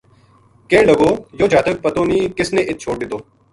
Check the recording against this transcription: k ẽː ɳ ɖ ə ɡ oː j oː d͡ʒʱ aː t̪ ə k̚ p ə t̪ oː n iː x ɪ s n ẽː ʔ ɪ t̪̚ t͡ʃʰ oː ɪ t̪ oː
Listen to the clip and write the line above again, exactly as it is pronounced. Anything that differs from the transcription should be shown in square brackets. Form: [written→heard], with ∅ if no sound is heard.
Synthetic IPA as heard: k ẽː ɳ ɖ ə ɡ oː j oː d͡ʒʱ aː t̪ ə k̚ p ə t̪ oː n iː [x→k] ɪ s n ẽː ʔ ɪ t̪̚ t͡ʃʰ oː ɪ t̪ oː